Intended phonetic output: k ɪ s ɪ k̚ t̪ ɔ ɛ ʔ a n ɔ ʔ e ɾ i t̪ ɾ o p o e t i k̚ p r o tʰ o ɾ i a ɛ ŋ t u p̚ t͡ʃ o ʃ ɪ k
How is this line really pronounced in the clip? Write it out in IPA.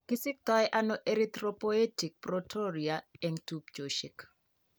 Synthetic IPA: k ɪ s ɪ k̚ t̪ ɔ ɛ ʔ a n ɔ ʔ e ɾ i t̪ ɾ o p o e t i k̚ p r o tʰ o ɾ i a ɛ ŋ t u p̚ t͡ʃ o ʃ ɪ k